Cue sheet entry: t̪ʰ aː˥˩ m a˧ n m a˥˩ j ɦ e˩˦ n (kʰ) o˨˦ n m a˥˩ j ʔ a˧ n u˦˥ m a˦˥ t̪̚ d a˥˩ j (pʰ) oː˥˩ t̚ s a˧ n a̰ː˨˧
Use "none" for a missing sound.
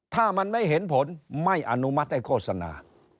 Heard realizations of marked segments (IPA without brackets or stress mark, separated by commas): pʰ, kʰ